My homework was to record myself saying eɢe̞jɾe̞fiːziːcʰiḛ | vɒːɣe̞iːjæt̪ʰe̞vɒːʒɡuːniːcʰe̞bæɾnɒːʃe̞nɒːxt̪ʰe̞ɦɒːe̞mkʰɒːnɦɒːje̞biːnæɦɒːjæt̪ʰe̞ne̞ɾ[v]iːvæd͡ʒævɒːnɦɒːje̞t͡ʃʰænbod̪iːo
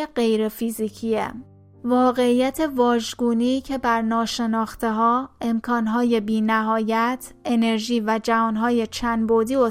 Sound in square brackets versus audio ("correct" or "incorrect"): incorrect